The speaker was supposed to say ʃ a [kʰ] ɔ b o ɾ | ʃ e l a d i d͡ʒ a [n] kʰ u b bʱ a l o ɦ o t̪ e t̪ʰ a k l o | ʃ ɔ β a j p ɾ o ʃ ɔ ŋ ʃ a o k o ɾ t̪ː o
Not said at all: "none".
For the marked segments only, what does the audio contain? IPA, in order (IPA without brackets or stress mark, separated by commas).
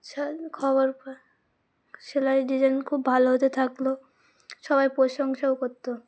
kʰ, n